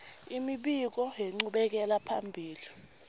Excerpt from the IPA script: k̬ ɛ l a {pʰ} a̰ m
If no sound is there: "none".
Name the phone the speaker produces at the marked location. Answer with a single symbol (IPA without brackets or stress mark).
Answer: pʰ